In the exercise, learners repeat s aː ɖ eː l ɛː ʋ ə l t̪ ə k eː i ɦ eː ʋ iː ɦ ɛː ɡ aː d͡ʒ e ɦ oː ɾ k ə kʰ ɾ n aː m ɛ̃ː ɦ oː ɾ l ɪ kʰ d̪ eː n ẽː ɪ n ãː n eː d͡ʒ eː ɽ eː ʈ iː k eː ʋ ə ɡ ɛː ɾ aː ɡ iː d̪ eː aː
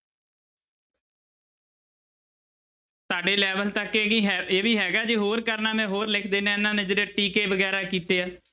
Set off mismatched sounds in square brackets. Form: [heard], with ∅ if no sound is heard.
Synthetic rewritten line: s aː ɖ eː l ɛː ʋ ə l t̪ ə k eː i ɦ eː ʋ iː ɦ ɛː ɡ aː d͡ʒ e ɦ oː ɾ k ə [∅] ɾ n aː m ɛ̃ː ɦ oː ɾ l ɪ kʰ d̪ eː n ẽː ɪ n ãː n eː d͡ʒ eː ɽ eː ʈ iː k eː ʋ ə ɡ ɛː ɾ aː [k] iː [t̪] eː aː